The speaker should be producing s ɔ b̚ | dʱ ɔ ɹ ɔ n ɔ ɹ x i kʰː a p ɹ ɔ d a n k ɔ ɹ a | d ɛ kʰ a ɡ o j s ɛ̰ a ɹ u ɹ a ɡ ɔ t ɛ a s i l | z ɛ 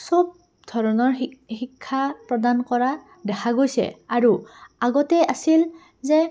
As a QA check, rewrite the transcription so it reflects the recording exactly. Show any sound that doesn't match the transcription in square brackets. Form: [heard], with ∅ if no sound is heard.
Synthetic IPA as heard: s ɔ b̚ | dʱ ɔ ɹ ɔ n ɔ ɹ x i kʰː a p ɹ ɔ d a n k ɔ ɹ a | d ɛ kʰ a ɡ o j s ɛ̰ a ɹ u [∅] a ɡ ɔ t ɛ a s i l | z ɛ